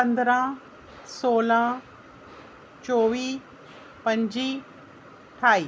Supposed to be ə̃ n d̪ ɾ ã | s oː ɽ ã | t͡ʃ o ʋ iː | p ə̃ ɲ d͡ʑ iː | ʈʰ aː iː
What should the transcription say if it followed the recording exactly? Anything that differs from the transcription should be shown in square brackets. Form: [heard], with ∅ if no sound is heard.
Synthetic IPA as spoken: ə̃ n d̪ ɾ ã | s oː [l] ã | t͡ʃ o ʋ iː | p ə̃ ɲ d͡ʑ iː | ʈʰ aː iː